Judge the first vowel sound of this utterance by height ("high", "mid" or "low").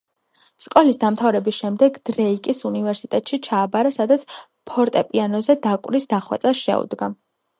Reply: mid